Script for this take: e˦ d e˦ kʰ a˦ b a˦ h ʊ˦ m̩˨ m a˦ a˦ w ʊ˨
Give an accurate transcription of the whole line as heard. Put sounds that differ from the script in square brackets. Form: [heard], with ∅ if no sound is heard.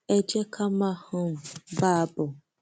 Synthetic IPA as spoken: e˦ [d͡ʒ] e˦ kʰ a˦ [m] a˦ h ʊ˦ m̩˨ [b] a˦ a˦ [b] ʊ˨